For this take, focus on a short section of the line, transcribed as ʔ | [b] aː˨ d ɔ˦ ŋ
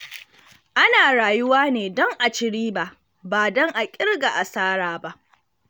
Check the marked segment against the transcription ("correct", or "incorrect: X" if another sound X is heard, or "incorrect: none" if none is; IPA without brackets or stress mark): correct